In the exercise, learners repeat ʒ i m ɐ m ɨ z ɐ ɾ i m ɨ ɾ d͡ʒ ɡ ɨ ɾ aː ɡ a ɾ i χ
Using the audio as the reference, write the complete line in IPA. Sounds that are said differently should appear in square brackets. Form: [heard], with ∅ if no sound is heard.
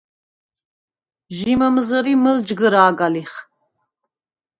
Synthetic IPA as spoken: ʒ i m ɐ m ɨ z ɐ ɾ i m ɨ [l] d͡ʒ ɡ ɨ ɾ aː ɡ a [l] i χ